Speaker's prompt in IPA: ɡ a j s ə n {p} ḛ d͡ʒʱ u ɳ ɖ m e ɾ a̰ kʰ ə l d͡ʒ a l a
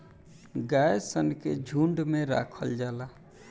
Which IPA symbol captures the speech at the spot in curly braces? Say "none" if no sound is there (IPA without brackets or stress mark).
k